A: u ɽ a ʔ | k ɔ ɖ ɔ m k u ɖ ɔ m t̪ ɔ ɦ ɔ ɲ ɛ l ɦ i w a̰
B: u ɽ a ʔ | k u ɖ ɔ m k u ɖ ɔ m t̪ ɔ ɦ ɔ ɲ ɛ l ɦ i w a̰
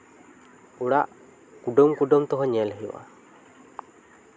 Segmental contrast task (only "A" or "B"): B